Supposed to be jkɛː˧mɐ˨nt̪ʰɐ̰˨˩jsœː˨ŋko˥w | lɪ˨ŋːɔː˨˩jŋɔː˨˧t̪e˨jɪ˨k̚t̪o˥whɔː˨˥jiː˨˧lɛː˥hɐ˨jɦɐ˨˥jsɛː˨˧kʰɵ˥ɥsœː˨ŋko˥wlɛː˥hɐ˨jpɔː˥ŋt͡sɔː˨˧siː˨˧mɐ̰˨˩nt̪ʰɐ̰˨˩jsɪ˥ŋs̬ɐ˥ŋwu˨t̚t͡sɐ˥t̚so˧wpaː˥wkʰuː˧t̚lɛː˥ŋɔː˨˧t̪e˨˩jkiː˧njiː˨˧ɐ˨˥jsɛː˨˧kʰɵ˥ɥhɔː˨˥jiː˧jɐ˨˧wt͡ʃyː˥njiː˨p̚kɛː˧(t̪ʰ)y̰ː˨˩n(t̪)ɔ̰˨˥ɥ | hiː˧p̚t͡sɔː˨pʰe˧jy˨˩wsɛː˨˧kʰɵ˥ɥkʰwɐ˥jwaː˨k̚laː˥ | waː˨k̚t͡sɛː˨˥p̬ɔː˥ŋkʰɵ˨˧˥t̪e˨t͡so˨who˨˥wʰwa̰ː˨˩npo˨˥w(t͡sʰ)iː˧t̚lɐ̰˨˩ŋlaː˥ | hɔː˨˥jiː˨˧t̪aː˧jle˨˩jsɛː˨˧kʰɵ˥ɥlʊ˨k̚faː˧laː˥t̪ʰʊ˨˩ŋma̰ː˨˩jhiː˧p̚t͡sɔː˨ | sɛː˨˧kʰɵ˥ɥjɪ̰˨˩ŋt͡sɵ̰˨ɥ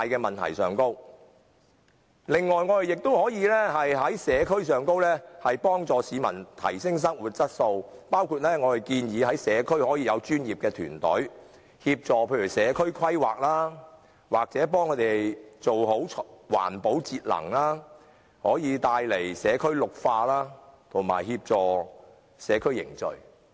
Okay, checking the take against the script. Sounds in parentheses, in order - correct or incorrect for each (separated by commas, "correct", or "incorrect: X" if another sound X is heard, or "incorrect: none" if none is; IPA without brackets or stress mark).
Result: correct, correct, incorrect: t͡s